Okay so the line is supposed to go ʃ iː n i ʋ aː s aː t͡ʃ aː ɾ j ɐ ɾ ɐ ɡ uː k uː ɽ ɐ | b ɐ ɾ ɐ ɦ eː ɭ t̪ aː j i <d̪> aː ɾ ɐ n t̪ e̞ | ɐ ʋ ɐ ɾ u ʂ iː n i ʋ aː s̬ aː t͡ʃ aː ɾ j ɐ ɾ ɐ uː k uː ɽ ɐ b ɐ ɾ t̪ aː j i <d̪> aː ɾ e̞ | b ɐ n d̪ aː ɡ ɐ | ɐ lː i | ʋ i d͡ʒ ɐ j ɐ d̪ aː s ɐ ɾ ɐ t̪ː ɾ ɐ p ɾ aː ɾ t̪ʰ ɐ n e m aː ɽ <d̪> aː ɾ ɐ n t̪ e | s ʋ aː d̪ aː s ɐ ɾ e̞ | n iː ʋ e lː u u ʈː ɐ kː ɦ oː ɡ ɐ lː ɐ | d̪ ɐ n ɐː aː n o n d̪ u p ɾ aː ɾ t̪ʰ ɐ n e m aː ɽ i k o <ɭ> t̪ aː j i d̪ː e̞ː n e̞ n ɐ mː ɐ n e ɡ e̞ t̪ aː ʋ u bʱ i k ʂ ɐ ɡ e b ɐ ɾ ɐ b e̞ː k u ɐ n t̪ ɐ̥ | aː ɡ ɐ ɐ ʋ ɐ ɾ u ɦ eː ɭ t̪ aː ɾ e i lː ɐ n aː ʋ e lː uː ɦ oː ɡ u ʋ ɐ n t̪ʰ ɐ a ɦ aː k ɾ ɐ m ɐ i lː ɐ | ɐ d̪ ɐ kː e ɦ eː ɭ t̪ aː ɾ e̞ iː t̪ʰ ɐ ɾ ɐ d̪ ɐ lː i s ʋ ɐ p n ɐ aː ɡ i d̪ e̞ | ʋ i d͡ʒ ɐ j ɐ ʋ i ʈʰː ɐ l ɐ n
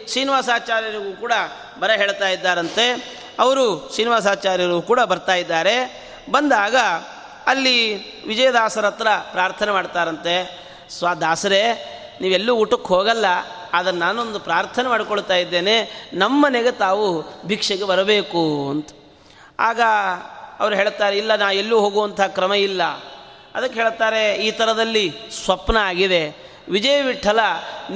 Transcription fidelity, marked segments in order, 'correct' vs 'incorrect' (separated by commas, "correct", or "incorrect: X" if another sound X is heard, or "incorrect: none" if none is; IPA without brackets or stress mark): incorrect: d̪ː, incorrect: d̪ː, incorrect: t̪, correct